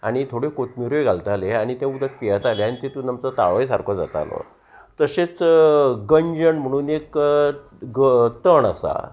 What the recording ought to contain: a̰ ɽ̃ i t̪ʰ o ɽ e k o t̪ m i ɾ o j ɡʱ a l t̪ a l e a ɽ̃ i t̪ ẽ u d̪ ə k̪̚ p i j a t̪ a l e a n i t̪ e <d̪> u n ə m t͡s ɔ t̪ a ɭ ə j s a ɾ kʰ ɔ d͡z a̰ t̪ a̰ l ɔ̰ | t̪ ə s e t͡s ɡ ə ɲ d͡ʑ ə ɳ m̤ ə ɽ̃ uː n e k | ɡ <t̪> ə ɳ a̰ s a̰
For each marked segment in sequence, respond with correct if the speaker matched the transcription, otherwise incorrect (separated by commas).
incorrect, correct